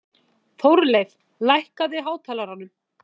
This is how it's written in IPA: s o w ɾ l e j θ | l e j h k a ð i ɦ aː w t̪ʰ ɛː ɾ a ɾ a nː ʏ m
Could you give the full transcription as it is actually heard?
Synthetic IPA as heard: θ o w ɾ l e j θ | l a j h k a ð ɪ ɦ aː w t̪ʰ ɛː l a ɾ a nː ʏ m